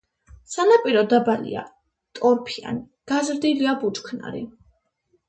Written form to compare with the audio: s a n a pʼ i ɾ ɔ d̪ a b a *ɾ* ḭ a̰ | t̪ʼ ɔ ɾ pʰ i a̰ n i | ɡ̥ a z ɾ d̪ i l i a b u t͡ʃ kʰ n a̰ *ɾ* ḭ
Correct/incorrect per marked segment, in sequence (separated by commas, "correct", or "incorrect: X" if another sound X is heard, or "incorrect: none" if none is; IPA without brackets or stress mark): incorrect: l, correct